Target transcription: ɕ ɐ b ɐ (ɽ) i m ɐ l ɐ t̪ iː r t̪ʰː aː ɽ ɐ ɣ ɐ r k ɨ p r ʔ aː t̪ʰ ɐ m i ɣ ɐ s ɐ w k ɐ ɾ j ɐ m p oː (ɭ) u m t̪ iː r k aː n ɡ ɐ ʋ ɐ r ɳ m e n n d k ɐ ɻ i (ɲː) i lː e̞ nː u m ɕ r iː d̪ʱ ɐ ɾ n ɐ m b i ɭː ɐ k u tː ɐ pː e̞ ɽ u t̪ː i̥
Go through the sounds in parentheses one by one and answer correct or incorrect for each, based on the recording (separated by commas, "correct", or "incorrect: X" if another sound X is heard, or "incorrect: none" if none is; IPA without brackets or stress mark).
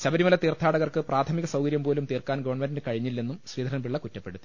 incorrect: ɾ, incorrect: l, correct